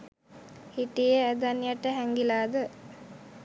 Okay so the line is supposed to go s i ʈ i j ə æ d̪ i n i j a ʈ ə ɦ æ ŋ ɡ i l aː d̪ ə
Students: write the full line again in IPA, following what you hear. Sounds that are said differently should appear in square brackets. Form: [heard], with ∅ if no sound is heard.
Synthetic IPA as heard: [h] i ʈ i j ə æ d̪ [a] n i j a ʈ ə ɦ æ ŋ ɡ i l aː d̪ ə

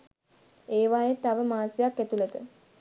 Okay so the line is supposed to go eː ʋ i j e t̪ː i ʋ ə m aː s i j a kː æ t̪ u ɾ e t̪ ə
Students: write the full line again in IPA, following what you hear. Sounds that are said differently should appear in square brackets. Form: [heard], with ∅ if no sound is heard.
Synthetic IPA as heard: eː ʋ [a] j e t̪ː [a] ʋ ə m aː s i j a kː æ t̪ u [l] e t̪ ə

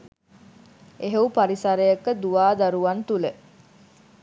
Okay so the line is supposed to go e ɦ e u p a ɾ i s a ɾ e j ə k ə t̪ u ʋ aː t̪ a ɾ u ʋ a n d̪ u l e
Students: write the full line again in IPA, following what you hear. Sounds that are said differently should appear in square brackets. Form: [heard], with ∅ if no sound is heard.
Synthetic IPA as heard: e ɦ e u p a ɾ i s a ɾ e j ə k ə [d̪] u ʋ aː [d̪] a ɾ u ʋ a n [t̪] u l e

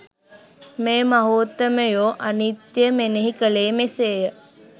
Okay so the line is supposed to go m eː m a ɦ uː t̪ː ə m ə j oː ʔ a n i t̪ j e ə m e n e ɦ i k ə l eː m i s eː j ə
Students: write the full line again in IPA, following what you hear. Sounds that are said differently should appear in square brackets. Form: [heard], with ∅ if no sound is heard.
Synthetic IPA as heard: m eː m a ɦ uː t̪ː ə m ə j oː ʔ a n i t̪ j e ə m e n e ɦ i k ə l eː m [e] s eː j ə

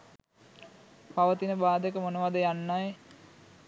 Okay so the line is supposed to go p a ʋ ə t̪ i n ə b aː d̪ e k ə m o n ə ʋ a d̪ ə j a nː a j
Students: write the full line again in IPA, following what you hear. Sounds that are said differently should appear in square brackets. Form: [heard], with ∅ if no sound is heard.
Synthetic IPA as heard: p a ʋ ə t̪ i n ə b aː d̪ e k ə m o n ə ʋ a d̪ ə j a nː a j

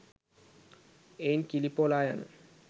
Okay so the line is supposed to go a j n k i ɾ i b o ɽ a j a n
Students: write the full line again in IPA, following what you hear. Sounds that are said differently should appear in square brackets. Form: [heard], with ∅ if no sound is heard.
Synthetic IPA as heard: [e] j n k i [l] i [p] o [l] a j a n

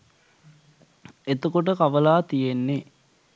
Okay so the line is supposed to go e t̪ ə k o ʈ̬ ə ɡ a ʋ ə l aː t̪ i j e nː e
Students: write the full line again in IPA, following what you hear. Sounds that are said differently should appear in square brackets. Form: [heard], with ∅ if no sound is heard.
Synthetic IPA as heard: e t̪ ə k o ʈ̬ ə [k] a ʋ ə l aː t̪ i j e nː e

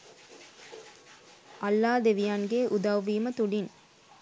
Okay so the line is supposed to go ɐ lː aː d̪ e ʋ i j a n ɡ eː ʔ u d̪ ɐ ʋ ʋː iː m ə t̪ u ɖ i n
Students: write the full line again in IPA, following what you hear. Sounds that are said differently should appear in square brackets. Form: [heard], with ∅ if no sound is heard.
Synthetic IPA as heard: ɐ lː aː d̪ e ʋ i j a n ɡ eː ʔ u d̪ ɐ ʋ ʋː iː m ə t̪ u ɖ i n

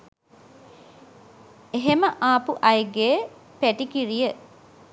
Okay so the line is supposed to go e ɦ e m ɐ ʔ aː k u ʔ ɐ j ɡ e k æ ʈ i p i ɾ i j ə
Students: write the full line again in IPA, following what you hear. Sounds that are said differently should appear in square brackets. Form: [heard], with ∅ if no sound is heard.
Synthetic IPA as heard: e ɦ e m [ə] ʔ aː [p] u ʔ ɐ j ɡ e [p] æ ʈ i [k] i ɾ i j ə

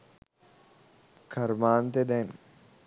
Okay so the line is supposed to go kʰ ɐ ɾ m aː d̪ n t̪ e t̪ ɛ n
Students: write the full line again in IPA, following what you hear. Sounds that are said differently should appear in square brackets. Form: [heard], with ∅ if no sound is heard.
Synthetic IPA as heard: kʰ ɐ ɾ m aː [∅] n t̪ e [d̪] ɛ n

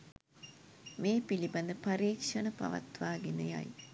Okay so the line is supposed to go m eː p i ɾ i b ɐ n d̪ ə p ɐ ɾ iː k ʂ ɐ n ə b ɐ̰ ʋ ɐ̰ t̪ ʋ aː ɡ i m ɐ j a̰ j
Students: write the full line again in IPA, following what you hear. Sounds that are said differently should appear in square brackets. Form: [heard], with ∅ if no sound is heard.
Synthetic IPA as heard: m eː p i [l] i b ɐ n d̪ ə p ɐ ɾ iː k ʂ ɐ n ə [p] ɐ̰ ʋ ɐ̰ t̪ ʋ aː ɡ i [n] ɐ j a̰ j

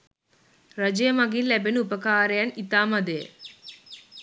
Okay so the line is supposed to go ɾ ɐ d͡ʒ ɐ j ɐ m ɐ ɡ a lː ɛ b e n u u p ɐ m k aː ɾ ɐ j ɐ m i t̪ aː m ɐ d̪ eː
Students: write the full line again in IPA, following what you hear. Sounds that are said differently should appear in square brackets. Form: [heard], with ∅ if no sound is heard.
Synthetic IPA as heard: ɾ ɐ d͡ʒ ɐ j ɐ m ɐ ɡ [i] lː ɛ b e n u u p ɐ [∅] k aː ɾ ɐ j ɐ [n] i t̪ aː m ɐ d̪ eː

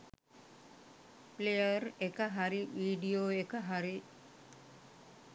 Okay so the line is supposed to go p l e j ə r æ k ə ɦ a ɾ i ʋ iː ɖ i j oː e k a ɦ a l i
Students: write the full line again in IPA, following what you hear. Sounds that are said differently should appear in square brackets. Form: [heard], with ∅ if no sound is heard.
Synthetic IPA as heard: p l e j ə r [e] k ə ɦ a ɾ i ʋ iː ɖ i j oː e k [ə] ɦ a [ɾ] i

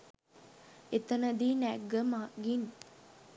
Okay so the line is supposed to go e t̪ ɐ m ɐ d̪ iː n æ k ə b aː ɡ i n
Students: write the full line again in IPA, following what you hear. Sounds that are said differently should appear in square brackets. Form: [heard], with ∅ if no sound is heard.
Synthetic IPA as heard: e t̪ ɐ [n] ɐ d̪ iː n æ [ɡ] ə [m] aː ɡ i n

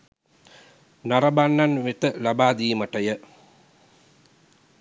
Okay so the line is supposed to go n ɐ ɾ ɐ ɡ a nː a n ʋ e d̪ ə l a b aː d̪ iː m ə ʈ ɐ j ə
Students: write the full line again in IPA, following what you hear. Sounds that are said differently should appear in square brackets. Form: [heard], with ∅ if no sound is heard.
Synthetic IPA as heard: n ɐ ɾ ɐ [b] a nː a n ʋ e [t̪] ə l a b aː d̪ iː m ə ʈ ɐ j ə

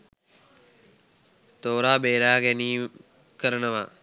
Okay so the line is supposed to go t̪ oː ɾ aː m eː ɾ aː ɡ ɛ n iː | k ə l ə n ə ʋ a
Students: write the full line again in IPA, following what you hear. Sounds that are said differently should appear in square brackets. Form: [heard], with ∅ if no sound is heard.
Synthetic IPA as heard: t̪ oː ɾ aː [b] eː ɾ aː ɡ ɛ n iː | k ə [ɾ] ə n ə ʋ a

